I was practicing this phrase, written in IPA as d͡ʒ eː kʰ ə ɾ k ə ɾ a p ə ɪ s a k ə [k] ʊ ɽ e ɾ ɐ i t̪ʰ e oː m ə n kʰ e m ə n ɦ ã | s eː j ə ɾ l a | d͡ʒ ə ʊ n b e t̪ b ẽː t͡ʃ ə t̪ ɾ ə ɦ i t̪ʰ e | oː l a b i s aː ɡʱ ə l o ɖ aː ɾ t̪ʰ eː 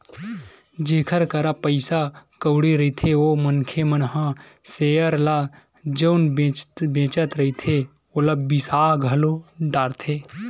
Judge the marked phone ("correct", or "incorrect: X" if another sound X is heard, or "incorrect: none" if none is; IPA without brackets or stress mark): incorrect: none